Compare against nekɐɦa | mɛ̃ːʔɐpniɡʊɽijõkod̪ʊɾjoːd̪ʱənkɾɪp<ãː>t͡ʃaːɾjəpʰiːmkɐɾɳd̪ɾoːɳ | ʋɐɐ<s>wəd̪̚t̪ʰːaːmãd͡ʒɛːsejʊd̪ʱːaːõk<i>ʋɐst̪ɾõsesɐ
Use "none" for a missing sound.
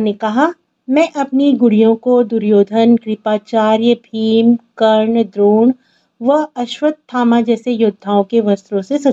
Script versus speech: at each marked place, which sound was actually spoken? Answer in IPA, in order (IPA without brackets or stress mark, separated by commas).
aː, ʃ, e